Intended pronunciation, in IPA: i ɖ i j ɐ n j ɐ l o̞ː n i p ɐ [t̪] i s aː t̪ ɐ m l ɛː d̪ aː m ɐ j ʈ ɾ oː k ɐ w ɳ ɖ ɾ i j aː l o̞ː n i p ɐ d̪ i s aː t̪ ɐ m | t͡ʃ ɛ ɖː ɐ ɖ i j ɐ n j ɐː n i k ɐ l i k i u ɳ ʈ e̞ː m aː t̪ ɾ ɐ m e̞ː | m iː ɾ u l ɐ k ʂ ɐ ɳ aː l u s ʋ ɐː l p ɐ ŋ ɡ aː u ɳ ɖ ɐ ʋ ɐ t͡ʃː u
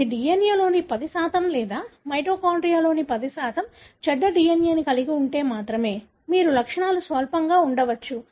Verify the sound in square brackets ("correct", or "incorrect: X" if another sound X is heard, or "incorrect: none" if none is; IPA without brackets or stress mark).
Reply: incorrect: d̪